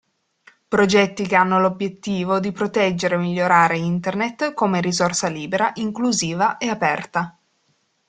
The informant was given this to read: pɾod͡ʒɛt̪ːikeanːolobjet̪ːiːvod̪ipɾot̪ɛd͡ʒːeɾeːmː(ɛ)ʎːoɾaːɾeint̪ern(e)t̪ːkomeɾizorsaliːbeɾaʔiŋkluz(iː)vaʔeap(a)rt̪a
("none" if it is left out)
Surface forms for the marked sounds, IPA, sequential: i, e, iː, ɛ

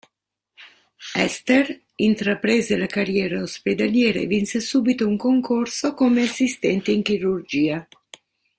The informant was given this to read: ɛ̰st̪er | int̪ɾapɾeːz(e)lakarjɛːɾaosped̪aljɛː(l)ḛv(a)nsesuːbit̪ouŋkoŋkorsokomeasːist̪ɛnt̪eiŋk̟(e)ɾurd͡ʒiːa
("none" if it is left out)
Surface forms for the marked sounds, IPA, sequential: e, ɾ, i, i

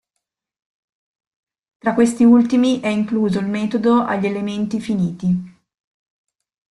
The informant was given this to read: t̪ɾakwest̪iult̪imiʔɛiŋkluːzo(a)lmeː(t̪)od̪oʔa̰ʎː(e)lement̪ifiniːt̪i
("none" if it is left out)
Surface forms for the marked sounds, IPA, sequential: i, t̪, e

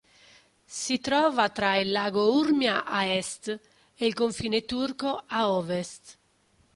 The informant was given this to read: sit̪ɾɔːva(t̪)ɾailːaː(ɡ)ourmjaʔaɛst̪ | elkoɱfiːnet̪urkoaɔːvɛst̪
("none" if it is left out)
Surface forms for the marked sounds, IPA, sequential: t̪, ɡ

